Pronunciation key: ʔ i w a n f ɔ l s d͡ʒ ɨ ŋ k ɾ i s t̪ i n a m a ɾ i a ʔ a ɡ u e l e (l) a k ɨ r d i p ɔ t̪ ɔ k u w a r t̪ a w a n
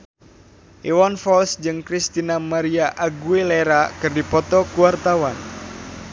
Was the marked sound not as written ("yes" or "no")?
yes